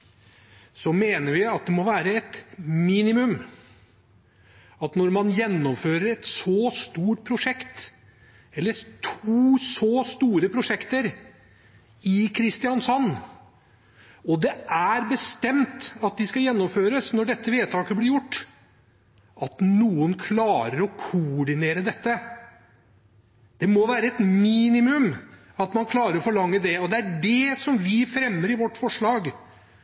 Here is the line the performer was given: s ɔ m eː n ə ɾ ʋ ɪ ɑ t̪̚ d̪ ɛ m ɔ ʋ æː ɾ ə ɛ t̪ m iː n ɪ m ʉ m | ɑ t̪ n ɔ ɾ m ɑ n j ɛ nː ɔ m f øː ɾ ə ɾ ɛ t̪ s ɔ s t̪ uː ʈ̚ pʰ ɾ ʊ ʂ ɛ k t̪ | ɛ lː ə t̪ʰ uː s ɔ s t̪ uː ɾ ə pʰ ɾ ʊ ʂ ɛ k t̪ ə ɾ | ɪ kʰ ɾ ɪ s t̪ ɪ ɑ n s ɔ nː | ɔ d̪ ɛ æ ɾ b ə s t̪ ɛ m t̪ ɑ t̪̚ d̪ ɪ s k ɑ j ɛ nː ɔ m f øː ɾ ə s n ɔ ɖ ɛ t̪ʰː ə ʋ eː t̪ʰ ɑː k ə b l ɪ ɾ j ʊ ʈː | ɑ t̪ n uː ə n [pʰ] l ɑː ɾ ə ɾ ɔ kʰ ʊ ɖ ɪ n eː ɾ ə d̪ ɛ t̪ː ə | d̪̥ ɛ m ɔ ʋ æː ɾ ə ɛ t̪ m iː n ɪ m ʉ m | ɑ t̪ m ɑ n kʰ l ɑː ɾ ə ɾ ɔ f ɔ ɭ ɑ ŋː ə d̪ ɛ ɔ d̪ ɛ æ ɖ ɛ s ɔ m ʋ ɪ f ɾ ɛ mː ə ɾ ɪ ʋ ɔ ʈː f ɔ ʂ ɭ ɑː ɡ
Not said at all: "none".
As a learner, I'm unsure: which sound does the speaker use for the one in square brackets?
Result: kʰ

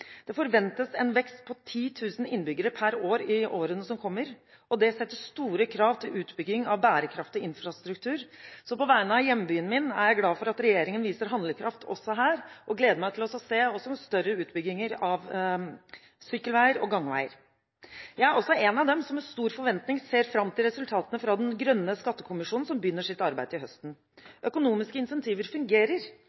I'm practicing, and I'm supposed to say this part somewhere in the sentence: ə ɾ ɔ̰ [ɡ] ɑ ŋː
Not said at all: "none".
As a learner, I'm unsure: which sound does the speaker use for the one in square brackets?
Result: ɡ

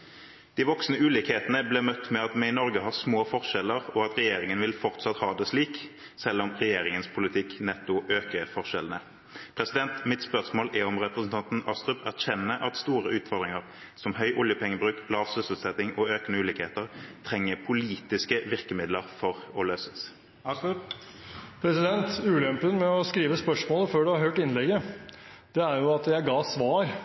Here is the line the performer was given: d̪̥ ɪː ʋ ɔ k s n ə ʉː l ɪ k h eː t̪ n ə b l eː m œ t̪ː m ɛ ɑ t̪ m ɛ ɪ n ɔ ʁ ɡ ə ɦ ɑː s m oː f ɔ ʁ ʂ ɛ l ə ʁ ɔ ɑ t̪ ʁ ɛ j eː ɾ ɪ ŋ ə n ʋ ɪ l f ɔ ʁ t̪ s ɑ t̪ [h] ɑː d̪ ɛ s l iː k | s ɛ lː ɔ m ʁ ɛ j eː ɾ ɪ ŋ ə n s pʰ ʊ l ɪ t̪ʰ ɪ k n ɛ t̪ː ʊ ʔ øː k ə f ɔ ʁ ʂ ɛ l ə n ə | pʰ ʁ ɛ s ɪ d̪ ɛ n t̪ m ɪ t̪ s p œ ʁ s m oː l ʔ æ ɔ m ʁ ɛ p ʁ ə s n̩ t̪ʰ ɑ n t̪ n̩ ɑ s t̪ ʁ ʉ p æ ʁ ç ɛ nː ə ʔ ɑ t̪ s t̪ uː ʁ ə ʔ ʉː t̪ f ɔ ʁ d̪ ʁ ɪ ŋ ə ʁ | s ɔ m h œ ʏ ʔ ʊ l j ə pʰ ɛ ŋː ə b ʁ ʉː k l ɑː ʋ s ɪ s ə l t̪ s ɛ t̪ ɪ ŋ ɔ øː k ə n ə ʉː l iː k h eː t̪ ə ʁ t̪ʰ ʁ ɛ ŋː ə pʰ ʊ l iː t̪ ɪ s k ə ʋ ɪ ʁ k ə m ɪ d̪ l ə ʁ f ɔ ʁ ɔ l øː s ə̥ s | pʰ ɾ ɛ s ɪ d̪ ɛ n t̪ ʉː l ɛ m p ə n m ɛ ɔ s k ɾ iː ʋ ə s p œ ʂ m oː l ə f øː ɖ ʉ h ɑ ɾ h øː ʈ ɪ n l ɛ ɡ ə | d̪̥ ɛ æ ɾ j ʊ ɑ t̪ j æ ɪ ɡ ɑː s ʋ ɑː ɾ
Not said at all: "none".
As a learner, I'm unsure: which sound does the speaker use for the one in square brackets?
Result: h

